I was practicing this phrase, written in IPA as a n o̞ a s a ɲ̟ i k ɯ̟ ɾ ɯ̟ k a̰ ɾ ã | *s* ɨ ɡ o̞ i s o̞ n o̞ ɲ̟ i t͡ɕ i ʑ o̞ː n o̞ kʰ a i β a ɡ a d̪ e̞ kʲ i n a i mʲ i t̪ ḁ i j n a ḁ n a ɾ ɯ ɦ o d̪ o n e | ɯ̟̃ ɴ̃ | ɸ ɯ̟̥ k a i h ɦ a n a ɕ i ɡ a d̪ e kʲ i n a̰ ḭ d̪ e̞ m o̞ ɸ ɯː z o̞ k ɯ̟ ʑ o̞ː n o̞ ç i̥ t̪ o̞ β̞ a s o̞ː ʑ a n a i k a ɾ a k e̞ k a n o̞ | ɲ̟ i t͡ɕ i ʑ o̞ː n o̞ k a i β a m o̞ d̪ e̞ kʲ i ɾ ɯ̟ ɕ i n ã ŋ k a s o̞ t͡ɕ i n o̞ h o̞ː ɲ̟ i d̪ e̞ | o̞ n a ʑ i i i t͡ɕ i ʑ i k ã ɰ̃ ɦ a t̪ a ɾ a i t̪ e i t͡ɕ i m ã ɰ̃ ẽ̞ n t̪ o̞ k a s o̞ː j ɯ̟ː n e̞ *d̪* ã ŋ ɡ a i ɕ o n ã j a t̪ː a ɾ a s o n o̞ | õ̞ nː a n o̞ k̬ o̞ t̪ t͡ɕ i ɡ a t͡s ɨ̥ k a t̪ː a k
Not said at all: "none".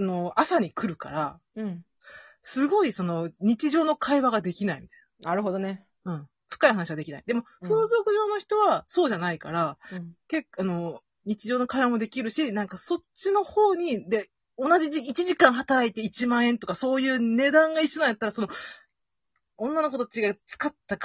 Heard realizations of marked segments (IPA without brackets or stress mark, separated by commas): s, d̪